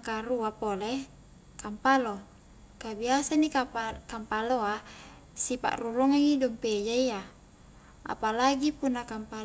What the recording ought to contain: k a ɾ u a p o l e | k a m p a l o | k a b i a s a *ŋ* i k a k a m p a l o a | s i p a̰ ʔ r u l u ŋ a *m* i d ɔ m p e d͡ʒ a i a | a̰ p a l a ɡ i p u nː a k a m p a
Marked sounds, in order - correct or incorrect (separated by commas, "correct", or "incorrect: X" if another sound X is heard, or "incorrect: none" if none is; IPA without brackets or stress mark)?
incorrect: n, incorrect: ŋ